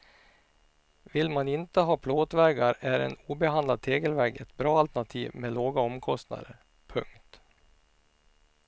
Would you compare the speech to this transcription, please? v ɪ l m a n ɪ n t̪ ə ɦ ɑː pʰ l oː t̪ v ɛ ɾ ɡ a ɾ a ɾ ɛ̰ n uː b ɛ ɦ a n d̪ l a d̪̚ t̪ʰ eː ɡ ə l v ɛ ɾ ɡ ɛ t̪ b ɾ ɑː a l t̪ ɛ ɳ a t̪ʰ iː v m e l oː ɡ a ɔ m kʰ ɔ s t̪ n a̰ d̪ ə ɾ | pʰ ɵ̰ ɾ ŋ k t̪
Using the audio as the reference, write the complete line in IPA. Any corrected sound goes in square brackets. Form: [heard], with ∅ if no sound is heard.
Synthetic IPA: v ɪ l m a n ɪ n t̪ ə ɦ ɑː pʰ l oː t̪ v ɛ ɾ ɡ a ɾ [æ] ɾ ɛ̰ n uː b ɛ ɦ a n d̪ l a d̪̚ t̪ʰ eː ɡ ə l v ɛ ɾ ɡ ɛ t̪ b ɾ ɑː a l t̪ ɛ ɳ a t̪ʰ iː v m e l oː ɡ a ɔ m kʰ ɔ s t̪ n a̰ d̪ ə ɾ | pʰ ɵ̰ [∅] ŋ k t̪